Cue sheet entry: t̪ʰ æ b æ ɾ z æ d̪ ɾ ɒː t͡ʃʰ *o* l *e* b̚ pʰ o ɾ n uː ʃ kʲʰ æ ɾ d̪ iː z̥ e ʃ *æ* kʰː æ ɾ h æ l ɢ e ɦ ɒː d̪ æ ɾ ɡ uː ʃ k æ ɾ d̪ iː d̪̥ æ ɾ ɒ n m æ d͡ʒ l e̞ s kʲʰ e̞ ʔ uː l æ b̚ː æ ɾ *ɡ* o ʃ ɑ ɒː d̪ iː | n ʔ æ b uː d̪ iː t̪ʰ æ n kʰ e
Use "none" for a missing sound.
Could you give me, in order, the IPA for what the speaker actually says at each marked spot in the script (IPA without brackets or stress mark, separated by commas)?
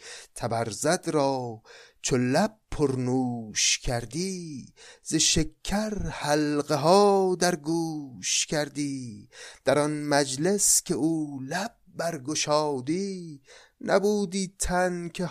o, æ, e, ɡ